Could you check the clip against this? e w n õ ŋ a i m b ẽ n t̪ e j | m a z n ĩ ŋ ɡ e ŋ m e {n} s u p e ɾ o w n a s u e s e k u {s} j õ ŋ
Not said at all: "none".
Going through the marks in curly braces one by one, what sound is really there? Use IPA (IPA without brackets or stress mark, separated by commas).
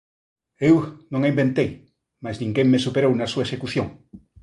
none, θ